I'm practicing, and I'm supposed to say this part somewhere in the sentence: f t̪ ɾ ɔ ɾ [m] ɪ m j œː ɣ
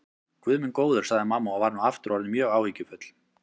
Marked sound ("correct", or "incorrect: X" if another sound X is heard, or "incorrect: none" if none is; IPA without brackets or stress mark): incorrect: n